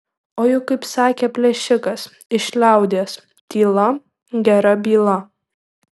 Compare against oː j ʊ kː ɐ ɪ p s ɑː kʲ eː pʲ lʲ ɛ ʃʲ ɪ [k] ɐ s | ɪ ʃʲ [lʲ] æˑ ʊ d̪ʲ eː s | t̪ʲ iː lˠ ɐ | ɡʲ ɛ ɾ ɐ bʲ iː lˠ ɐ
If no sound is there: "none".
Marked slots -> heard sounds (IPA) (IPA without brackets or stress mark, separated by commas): k, lʲ